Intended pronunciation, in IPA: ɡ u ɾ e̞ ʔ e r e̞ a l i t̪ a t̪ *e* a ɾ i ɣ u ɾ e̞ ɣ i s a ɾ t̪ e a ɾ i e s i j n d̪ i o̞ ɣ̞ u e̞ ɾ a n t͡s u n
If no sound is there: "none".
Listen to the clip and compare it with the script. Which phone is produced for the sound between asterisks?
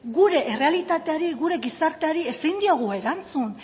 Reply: e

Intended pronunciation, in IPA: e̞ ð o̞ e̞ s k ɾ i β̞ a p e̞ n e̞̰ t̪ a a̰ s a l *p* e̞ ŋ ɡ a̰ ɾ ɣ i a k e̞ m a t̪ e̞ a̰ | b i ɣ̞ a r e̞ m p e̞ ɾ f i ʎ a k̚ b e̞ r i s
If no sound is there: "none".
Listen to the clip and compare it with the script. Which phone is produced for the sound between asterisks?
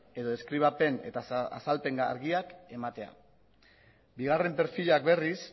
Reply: p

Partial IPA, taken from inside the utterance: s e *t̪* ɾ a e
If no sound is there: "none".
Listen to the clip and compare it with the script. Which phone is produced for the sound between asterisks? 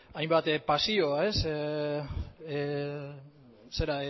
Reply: none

